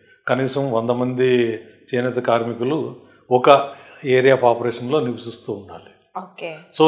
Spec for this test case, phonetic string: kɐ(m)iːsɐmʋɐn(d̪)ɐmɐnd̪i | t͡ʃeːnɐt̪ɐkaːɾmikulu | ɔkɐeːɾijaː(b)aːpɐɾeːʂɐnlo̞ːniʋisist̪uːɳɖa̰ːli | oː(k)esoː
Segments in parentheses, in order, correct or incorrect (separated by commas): incorrect, correct, incorrect, correct